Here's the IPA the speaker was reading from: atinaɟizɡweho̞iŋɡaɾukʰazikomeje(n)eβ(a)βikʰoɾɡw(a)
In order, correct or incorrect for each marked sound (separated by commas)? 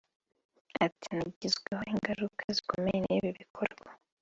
correct, incorrect, correct